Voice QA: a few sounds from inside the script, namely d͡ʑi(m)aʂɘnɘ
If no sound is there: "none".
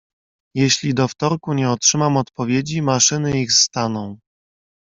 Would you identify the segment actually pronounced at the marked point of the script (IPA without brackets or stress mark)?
m